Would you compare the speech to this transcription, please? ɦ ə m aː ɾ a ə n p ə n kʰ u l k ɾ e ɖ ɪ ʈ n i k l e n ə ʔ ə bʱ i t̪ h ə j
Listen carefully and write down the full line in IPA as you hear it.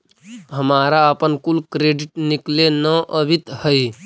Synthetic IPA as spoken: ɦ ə m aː ɾ a ə p ə n k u l k ɾ e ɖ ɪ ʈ n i k l e n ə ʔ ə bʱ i t̪ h ə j